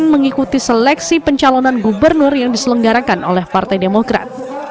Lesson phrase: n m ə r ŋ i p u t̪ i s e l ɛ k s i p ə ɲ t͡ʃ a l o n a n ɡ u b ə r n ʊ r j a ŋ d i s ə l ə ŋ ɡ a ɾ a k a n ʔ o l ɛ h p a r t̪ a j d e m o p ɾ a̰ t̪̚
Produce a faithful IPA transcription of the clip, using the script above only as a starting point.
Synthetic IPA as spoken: n m ə ŋ i k u t̪ i s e l ɛ k s i p ə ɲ t͡ʃ a l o n a n ɡ u b ə r n ʊ r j a ŋ d i s ə l ə ŋ ɡ a ɾ a k a n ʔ o l ɛ h p a r t̪ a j d e m o k ɾ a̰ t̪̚